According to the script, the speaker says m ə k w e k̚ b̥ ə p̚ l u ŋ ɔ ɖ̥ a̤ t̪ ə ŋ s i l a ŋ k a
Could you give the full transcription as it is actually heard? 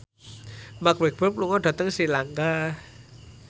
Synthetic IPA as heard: m a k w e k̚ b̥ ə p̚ l u ŋ ɔ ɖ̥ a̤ t̪ ə ŋ s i l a ŋ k a